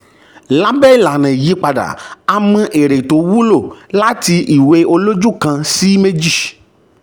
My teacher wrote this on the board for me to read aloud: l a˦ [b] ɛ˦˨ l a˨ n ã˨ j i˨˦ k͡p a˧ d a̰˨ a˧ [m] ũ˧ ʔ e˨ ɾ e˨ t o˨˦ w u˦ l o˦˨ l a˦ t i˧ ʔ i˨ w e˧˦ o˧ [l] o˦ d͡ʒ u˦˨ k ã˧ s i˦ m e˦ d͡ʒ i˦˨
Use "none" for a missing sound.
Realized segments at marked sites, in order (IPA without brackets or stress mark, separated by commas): b, m, l